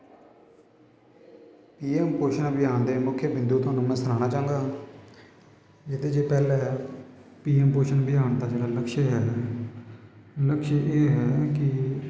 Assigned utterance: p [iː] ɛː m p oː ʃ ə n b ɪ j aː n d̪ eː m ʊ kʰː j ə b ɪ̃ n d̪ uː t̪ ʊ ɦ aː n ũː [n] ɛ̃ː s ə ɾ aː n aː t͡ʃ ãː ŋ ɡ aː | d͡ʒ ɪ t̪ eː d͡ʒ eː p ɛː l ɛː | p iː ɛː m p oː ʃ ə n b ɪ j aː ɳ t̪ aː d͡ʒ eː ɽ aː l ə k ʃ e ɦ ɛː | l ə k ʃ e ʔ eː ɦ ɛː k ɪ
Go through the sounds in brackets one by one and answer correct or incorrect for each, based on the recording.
correct, incorrect

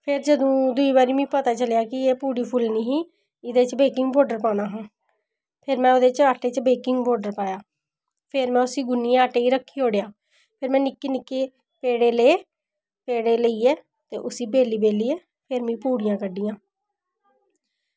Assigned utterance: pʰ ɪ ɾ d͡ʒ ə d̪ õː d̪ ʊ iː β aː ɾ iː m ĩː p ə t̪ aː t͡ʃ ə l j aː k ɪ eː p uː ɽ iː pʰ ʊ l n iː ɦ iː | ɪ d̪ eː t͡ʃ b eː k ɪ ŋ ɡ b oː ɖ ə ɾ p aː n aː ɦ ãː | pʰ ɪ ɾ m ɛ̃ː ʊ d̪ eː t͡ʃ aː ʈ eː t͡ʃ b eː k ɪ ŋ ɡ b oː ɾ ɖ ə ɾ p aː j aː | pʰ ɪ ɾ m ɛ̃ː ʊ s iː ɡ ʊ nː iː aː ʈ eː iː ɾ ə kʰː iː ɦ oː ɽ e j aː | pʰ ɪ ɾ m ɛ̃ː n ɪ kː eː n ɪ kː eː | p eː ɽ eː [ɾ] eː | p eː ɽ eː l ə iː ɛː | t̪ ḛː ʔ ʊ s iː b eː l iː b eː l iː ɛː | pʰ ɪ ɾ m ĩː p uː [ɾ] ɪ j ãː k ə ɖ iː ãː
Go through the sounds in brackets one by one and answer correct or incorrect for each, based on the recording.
incorrect, incorrect

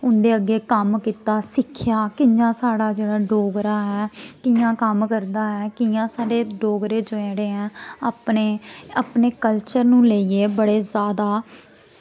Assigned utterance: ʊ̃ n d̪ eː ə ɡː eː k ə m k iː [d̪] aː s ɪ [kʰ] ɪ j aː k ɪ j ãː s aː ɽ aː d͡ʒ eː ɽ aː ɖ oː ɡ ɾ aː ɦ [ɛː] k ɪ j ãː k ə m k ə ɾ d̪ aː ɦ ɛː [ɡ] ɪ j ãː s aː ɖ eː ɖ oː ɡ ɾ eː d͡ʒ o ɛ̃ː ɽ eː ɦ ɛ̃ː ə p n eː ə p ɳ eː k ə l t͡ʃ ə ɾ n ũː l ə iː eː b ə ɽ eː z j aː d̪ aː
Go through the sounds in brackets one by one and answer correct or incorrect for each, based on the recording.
incorrect, correct, correct, incorrect

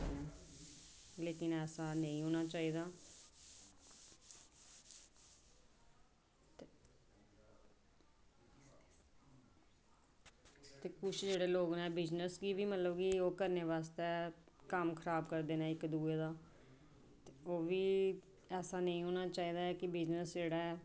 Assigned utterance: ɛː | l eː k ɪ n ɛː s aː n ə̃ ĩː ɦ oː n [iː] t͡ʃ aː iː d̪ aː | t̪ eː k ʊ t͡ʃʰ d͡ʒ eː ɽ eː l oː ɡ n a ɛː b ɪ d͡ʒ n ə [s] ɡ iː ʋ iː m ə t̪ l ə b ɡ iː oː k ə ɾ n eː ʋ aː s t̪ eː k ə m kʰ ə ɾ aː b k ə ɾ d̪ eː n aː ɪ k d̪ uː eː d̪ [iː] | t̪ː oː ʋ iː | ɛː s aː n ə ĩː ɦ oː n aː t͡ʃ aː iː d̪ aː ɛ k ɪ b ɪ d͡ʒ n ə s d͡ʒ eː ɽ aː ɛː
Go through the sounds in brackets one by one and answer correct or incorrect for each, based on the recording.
incorrect, correct, incorrect

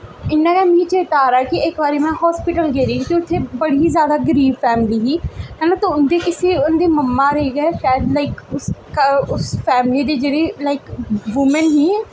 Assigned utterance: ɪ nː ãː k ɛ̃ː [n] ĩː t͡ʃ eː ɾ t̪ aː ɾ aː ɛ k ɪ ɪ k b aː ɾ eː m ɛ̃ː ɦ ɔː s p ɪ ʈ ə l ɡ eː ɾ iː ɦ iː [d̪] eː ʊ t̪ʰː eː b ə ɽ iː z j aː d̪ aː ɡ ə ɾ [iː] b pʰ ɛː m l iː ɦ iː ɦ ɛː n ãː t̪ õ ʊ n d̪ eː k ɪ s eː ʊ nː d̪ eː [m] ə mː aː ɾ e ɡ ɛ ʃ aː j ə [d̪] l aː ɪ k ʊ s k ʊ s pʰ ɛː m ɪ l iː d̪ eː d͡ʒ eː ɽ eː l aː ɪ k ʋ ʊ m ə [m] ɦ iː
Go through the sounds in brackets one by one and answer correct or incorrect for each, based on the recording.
incorrect, incorrect, correct, correct, correct, incorrect

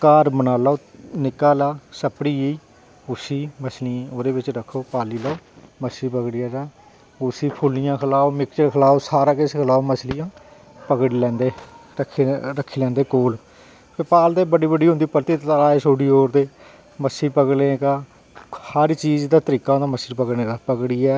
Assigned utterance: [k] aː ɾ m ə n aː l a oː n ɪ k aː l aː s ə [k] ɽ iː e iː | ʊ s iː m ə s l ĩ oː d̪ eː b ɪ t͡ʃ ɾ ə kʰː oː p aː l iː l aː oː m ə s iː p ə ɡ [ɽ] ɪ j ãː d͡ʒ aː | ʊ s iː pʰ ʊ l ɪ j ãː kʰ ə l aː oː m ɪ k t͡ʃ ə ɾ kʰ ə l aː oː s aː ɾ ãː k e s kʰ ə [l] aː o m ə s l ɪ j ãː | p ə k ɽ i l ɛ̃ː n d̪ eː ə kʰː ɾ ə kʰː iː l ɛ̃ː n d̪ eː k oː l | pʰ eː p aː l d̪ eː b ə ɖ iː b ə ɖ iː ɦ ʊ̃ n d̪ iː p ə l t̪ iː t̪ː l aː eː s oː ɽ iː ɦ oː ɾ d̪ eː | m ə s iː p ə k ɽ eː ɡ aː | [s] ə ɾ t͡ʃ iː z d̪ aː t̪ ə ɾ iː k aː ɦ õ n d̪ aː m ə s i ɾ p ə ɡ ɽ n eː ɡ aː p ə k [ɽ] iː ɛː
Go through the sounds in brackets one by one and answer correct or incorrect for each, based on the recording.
correct, incorrect, correct, correct, incorrect, correct

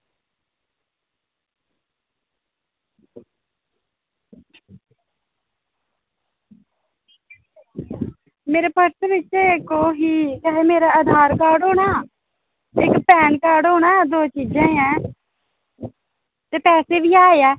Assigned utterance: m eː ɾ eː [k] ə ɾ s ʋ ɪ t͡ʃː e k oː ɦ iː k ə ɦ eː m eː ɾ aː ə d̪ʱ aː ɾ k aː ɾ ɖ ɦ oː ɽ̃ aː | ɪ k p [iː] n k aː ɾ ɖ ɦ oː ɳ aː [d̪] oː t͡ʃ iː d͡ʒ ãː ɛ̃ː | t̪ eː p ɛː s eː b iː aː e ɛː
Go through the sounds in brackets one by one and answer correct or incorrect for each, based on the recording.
incorrect, incorrect, correct

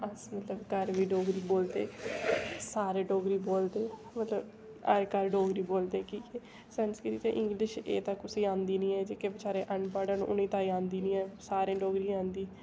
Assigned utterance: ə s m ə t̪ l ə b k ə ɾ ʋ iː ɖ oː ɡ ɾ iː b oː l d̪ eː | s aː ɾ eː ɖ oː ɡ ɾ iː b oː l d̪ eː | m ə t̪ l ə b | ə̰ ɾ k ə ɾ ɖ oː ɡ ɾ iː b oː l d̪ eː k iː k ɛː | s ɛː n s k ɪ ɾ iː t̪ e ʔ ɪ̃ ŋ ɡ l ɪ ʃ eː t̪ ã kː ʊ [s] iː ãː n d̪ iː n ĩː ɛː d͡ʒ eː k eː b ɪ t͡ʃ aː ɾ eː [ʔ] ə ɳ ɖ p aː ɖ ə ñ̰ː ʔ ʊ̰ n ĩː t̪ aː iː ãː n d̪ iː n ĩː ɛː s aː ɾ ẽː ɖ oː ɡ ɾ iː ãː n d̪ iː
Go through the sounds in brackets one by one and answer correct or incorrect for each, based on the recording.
correct, correct

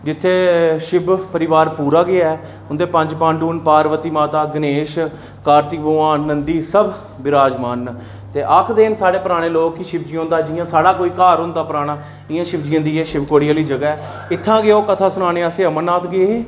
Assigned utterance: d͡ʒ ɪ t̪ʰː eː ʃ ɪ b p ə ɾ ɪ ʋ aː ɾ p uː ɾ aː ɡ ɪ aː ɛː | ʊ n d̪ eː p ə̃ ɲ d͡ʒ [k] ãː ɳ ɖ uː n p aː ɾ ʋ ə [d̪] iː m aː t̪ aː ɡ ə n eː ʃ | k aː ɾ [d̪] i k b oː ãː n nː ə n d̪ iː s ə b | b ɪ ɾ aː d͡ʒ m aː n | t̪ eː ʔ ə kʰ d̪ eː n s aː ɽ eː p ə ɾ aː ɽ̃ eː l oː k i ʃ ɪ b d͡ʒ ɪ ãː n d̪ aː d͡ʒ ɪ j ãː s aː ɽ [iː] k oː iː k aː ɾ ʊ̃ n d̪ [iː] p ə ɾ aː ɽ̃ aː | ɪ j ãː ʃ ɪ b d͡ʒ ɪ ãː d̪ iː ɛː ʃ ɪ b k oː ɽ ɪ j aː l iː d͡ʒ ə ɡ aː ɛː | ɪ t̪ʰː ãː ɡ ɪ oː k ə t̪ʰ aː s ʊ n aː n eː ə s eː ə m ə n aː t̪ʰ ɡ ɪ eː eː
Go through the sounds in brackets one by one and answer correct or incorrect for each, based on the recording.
incorrect, incorrect, incorrect, incorrect, incorrect

